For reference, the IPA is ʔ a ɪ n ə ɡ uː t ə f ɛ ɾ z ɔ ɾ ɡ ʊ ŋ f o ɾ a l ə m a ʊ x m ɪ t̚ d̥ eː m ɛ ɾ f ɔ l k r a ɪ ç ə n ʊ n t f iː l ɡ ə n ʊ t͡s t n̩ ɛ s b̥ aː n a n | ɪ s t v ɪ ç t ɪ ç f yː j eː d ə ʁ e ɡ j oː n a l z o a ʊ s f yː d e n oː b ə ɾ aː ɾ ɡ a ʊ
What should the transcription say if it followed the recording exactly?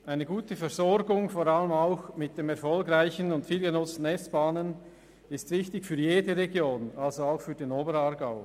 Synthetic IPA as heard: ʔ a ɪ n ə ɡ uː t ə f ɛ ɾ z ɔ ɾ ɡ ʊ ŋ f o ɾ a l ə m a ʊ x m ɪ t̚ d̥ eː m ɛ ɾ f ɔ l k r a ɪ ç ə n ʊ n t f iː l ɡ ə n ʊ t͡s t n̩ ɛ s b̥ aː n ə n | ɪ s t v ɪ ç t ɪ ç f yː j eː d ə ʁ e ɡ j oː n a l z o a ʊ x f yː d e n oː b ə ɾ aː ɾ ɡ a ʊ